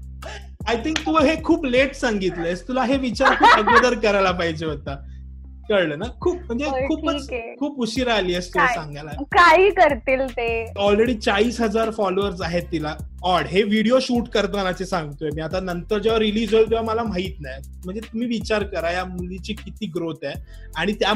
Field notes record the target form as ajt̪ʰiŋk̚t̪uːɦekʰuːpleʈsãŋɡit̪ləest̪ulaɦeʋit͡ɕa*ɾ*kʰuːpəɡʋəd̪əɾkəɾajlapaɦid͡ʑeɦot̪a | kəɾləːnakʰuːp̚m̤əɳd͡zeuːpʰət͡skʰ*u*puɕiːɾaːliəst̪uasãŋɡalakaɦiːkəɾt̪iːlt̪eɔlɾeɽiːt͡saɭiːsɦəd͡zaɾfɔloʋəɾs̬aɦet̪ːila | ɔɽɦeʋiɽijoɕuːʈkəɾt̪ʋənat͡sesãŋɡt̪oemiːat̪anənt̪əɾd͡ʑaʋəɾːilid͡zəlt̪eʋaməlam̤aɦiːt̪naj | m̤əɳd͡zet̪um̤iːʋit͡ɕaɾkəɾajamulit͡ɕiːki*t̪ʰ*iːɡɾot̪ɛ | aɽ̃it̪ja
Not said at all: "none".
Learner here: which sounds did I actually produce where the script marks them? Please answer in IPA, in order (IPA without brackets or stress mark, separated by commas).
ɾ, uː, t̪